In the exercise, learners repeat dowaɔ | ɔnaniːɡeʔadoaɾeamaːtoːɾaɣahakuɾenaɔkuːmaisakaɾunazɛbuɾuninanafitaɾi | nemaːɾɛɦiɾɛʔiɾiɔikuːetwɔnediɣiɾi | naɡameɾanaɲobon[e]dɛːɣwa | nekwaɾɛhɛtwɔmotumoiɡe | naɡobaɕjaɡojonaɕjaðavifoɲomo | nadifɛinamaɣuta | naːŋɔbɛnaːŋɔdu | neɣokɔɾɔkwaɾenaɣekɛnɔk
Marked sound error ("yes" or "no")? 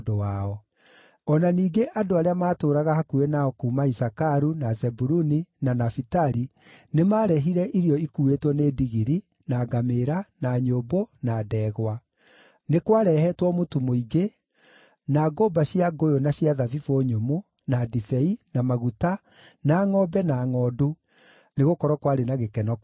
yes